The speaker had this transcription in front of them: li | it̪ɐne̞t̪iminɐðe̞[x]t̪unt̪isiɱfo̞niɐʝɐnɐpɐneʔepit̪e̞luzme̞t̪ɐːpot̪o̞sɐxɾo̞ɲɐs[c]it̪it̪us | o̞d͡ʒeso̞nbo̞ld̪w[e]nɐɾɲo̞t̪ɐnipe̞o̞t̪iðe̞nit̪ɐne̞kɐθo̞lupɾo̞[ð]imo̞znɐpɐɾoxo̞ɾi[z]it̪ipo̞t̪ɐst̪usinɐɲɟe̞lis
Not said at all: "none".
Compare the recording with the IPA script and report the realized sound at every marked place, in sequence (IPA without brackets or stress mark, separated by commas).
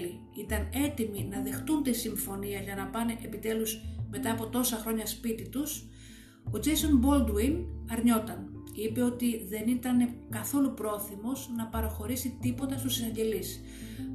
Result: x, p, i, θ, s